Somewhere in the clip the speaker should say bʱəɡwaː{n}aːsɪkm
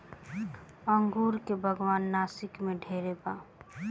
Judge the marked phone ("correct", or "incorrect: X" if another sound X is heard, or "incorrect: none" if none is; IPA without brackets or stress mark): incorrect: nː